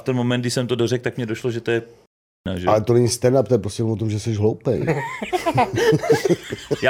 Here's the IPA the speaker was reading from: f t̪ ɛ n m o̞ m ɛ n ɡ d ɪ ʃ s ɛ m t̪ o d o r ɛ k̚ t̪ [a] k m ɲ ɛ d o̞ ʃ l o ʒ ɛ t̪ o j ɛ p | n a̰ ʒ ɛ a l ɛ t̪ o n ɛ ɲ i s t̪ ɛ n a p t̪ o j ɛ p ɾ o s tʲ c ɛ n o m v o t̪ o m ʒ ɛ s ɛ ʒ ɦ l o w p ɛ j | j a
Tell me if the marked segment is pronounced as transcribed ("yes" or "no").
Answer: yes